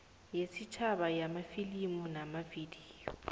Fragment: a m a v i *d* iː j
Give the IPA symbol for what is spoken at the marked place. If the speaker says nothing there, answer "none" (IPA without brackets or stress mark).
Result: d